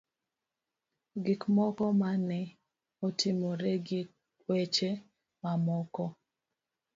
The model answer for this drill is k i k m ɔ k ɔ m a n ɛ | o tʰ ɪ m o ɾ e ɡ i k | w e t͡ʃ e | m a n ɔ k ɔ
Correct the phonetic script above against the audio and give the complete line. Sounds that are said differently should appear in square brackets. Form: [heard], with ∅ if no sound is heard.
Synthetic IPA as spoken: [ɡ] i k m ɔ k ɔ m a n ɛ | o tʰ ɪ m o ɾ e ɡ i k | w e t͡ʃ e | m a [m] ɔ k ɔ